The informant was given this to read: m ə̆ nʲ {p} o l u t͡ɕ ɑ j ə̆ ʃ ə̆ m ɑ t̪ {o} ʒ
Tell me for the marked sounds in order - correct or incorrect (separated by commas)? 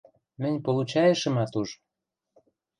correct, incorrect